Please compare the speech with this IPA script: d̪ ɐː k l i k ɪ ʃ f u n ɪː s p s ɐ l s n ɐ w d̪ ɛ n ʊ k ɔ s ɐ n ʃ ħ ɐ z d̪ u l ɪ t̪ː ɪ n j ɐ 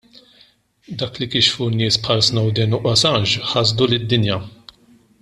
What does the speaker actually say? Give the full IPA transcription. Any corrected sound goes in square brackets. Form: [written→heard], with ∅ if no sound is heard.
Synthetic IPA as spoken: d̪ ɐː k l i k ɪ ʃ f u n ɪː s p [s→ħ] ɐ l s n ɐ w d̪ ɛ n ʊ [k→ʔ] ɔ s ɐ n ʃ ħ ɐ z d̪ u l ɪ [t̪ː→d̪ː] ɪ n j ɐ